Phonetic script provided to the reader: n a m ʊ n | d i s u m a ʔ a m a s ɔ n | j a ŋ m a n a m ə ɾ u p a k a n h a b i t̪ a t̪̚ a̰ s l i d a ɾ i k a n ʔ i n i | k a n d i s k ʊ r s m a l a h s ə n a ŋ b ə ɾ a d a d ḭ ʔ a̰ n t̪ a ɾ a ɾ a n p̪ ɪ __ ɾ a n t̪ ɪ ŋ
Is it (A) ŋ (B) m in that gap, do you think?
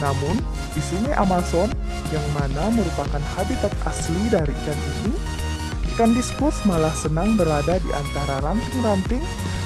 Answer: A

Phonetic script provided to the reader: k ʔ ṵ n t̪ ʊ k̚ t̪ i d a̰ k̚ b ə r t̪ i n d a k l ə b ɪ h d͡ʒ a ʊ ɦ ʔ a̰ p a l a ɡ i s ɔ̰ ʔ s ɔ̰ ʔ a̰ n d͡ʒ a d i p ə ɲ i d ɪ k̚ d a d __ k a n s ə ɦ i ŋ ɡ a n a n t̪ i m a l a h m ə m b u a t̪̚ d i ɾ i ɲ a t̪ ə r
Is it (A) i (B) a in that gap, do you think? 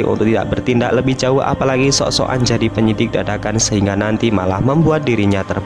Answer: B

